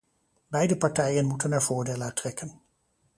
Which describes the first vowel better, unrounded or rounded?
unrounded